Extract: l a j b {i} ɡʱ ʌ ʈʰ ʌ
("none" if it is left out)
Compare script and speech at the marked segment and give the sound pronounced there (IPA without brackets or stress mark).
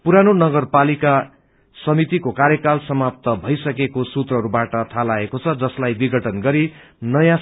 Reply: i